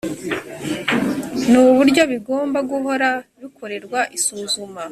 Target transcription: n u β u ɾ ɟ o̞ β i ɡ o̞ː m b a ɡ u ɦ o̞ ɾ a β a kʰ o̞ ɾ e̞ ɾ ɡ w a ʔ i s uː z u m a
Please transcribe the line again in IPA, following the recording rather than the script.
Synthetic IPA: n u β u ɾ ɟ o̞ β i ɡ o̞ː m b a ɡ u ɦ o̞ ɾ a β i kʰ o̞ ɾ e̞ ɾ ɡ w a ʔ i s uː z u m a